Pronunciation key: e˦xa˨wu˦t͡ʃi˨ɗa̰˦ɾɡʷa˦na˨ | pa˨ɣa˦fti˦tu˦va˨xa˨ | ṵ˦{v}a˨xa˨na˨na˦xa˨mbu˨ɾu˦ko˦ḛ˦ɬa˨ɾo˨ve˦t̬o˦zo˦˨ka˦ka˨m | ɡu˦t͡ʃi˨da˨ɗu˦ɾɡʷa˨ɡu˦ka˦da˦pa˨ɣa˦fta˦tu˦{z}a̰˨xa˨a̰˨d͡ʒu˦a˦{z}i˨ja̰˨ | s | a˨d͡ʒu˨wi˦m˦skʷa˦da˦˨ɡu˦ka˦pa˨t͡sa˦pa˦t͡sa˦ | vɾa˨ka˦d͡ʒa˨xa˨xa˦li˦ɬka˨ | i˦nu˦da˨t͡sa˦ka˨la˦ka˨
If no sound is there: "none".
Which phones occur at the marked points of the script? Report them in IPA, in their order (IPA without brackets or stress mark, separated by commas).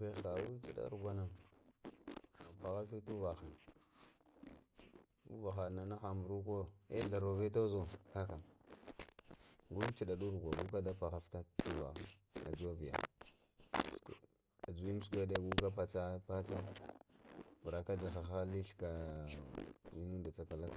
v, v, v